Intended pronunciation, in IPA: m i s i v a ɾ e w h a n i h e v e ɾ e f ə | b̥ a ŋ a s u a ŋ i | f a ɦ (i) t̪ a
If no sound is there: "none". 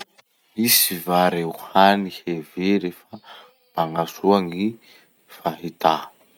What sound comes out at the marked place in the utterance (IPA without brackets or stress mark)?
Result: i